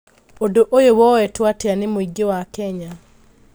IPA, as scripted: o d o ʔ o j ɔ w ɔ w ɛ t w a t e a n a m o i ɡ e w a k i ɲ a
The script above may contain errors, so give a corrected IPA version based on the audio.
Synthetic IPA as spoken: o d o ʔ o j o w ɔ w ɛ t w a t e a n e m o i ɡ e w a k ɛ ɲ a